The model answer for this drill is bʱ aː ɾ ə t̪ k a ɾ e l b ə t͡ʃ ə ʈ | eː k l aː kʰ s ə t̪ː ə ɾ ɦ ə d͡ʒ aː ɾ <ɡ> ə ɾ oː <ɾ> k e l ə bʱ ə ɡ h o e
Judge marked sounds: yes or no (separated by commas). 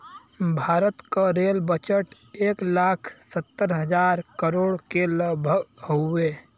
no, no